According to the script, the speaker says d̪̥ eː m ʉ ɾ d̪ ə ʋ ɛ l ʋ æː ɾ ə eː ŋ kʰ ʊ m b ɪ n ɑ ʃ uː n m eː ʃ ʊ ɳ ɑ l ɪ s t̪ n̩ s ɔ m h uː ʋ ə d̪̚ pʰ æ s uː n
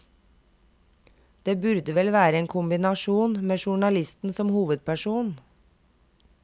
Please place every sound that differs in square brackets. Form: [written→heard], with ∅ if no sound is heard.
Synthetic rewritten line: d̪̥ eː [m→b] ʉ ɾ d̪ ə ʋ ɛ l ʋ æː ɾ ə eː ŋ kʰ ʊ m b ɪ n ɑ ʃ uː n m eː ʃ ʊ ɳ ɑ l ɪ s t̪ n̩ s ɔ m h uː ʋ ə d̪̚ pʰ æ [s→ʃ] uː n